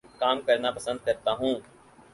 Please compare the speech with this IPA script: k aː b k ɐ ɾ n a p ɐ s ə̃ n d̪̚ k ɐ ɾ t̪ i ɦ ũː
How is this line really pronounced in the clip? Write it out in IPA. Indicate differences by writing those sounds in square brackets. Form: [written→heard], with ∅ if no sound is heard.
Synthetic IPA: k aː [b→m] k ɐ ɾ n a p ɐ s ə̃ n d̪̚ k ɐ ɾ t̪ [i→a] ɦ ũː